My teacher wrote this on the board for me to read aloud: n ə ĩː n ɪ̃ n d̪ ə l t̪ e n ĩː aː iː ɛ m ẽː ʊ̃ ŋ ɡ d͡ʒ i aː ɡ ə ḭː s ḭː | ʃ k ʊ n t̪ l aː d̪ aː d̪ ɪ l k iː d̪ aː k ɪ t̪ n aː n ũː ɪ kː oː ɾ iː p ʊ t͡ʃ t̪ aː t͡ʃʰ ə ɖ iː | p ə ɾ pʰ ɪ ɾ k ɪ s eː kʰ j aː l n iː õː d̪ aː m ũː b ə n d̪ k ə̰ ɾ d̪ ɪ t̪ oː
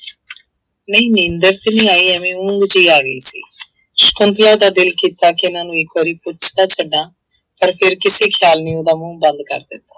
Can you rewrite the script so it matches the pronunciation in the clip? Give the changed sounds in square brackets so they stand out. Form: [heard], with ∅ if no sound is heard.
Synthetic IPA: n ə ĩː n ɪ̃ n d̪ ə [ɾ] t̪ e n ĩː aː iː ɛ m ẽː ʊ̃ ŋ ɡ d͡ʒ [iː] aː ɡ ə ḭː s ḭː | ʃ k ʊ n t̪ l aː d̪ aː d̪ ɪ l k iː [t̪] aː k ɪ [∅] n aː n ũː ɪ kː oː ɾ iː p ʊ t͡ʃ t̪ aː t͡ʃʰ ə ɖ [aː] | p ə ɾ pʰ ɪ ɾ k ɪ s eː kʰ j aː l n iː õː d̪ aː m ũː b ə n d̪ k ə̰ ɾ d̪ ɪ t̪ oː